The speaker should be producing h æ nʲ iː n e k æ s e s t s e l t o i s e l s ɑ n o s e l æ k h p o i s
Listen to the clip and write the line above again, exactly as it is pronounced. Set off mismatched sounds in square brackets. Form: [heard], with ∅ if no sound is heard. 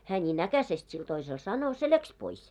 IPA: h [æː] nʲ iː n [æ] k æ s e s t s [i] l t o i s e l s ɑ n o s e l æ k [s] p o i s